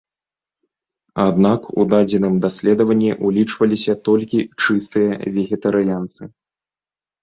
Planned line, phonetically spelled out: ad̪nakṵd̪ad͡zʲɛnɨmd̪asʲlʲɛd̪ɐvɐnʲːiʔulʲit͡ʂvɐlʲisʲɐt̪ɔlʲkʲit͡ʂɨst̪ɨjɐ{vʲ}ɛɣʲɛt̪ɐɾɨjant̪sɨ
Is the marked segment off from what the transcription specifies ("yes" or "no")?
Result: no